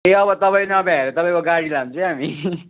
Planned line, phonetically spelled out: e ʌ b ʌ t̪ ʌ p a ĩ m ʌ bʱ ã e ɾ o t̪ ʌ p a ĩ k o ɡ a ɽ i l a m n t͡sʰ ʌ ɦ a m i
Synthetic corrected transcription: e ʌ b ʌ t̪ ʌ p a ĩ n ʌ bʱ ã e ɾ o t̪ ʌ p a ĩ k o ɡ a ɽ i l a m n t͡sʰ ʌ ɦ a m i